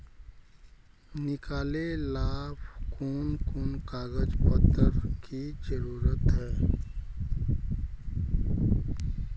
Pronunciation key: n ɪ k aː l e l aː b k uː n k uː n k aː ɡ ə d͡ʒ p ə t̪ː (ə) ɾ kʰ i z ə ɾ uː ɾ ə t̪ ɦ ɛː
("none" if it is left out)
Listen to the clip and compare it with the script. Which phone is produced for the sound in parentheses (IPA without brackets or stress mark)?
ə